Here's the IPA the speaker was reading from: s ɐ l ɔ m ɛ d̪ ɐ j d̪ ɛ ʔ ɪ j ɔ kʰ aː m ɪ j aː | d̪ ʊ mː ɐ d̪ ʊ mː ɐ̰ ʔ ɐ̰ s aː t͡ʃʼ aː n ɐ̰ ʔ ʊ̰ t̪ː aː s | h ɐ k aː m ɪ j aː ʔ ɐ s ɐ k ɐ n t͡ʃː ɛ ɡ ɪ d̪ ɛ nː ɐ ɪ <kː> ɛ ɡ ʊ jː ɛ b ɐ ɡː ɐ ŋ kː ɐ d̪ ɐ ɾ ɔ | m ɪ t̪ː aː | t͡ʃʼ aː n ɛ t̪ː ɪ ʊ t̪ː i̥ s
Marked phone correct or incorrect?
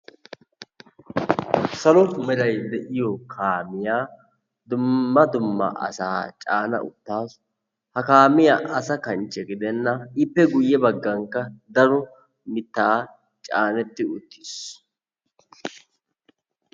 incorrect